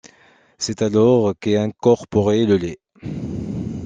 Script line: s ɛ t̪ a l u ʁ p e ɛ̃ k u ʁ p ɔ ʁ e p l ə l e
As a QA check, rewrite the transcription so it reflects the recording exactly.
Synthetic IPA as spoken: s ɛ t̪ a l ɔ ʁ k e ɛ̃ k ɔ ʁ p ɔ ʁ e l ə l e